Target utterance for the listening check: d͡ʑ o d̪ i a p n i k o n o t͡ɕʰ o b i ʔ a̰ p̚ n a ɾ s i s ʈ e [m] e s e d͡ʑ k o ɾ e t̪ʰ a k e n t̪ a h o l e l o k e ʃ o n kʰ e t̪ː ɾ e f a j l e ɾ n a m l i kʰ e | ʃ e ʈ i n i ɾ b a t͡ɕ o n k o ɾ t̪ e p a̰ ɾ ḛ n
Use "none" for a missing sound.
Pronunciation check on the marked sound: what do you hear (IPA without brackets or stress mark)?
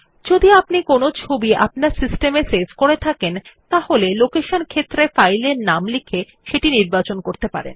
m